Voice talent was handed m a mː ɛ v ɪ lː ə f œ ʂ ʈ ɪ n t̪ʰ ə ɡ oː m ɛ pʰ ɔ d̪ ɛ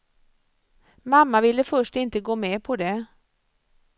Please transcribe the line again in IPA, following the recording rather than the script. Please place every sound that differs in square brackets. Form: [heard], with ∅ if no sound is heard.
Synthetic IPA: m a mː [a] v ɪ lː ə f œ ʂ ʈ ɪ n [t̪] ə ɡ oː m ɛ pʰ ɔ d̪ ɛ